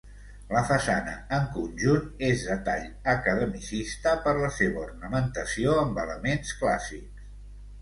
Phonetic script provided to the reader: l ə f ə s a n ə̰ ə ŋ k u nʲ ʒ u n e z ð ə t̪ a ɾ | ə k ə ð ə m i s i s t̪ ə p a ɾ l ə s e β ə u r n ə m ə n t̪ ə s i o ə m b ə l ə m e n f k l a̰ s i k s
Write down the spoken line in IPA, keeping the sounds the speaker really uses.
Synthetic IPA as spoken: l ə f ə s a n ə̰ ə ŋ k u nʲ ʒ u n e z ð ə t̪ a ʎ | ə k ə ð ə m i s i s t̪ ə p ə ɾ l ə s e β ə u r n ə m ə n t̪ ə s i o ə m b ə l ə m e n s k l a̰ s i k s